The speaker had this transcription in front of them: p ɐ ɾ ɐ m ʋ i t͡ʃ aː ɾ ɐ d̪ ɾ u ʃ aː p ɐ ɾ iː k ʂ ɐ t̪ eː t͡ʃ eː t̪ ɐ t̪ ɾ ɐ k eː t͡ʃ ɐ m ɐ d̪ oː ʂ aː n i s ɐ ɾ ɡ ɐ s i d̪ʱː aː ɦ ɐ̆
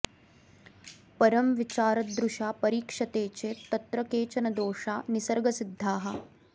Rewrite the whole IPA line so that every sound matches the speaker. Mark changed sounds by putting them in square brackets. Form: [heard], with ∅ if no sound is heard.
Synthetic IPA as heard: p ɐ ɾ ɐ m ʋ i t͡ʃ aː ɾ ɐ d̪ ɾ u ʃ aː p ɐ ɾ iː k ʂ ɐ t̪ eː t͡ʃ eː t̪ ɐ t̪ ɾ ɐ k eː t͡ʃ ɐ [n] ɐ d̪ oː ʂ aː n i s ɐ ɾ ɡ ɐ s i d̪ʱː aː ɦ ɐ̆